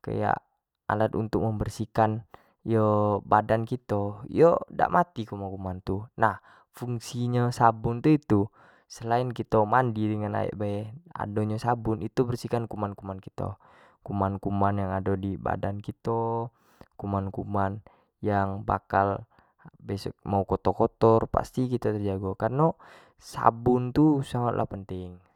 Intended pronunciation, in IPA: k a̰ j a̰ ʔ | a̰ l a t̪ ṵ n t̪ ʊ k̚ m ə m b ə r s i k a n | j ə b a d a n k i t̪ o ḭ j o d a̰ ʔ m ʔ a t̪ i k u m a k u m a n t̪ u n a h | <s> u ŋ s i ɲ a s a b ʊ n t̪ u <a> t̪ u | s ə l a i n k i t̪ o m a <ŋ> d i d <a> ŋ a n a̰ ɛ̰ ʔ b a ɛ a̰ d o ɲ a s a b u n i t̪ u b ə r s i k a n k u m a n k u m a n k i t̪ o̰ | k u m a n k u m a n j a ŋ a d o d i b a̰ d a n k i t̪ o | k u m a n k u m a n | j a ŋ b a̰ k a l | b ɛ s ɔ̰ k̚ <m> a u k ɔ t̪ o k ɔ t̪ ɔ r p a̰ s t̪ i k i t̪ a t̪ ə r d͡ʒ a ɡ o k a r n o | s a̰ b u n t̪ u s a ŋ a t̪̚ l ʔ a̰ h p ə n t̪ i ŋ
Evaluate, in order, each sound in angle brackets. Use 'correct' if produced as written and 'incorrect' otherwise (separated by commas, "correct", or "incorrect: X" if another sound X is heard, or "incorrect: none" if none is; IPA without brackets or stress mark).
incorrect: f, incorrect: i, incorrect: n, incorrect: ə, correct